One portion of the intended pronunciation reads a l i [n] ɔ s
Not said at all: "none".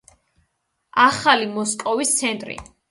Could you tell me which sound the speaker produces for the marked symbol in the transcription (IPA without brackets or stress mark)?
m